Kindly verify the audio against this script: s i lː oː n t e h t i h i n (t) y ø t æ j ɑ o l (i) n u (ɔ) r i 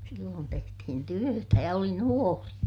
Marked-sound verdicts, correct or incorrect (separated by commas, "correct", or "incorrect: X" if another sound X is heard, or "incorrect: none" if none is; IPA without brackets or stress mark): correct, correct, incorrect: o